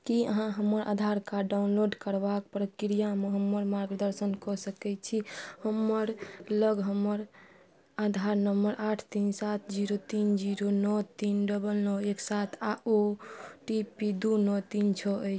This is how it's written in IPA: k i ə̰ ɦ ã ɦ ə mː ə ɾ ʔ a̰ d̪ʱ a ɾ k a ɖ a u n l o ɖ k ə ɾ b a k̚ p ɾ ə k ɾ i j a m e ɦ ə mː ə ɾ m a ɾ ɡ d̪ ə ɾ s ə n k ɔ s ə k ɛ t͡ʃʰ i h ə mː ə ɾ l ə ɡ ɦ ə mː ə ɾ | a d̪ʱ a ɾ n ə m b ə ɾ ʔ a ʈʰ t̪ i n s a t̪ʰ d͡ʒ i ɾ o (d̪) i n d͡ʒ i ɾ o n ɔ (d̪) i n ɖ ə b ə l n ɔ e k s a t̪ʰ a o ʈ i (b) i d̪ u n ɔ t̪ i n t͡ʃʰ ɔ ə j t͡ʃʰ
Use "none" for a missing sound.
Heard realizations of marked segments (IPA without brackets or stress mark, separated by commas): t̪, t̪, p